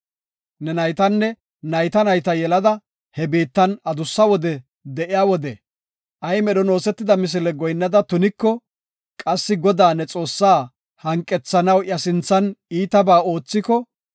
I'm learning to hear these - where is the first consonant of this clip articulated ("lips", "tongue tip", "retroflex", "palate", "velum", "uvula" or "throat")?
tongue tip